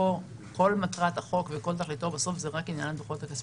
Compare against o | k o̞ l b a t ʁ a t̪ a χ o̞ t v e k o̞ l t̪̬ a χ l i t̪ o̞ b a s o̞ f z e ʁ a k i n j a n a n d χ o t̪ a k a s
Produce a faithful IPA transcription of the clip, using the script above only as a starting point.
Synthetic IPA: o | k o̞ l m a t ʁ a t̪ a χ o̞ k v e k o̞ l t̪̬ a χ l i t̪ o̞ b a s o̞ f z e ʁ a k i n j a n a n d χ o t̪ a k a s